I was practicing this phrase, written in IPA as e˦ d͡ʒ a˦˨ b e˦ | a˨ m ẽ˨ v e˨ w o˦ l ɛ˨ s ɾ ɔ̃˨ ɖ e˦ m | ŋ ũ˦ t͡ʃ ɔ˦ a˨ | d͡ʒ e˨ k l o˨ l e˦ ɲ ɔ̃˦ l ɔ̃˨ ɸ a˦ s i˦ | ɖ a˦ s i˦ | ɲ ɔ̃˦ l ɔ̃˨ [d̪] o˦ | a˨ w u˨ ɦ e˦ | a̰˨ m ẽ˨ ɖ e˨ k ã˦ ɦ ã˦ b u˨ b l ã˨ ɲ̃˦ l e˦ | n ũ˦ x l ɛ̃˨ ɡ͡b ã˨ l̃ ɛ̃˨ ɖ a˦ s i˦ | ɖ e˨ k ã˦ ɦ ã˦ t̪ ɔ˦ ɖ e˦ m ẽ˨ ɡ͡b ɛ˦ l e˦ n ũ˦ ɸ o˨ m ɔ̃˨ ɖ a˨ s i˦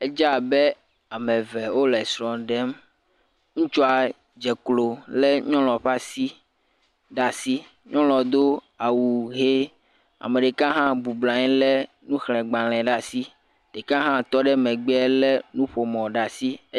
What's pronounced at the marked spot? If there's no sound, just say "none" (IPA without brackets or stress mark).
d̪